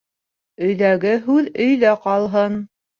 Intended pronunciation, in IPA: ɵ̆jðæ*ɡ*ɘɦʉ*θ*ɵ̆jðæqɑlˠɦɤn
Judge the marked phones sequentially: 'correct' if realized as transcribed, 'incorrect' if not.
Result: correct, incorrect

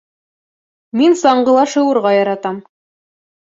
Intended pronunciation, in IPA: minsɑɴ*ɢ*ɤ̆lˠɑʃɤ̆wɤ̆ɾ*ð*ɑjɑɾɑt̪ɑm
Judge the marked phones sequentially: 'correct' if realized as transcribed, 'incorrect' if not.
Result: correct, incorrect

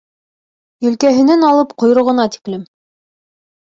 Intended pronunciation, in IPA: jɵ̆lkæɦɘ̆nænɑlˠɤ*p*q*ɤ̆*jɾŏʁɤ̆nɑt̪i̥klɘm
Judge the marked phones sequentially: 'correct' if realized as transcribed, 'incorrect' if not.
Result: correct, incorrect

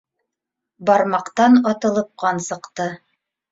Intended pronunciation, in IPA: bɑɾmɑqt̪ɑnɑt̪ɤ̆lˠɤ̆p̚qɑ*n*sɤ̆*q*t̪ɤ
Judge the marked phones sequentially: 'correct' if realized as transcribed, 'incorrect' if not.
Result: correct, correct

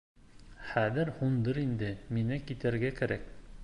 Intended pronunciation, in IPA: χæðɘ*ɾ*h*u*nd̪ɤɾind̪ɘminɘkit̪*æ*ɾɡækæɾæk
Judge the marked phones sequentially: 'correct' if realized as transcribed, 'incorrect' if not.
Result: correct, correct, correct

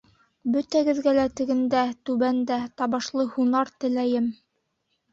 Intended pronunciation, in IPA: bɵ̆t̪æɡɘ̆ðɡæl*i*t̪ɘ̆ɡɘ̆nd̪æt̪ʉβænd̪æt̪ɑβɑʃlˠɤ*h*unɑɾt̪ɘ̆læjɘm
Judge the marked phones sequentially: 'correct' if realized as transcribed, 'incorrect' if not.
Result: incorrect, correct

